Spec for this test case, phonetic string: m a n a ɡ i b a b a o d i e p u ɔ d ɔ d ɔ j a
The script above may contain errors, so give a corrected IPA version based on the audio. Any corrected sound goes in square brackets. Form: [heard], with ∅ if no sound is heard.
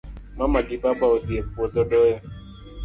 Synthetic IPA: m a [m] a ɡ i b a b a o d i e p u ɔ d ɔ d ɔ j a